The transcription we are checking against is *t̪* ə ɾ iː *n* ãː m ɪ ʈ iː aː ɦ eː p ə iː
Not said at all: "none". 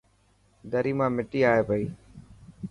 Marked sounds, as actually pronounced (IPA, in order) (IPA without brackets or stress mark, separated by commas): d̪, m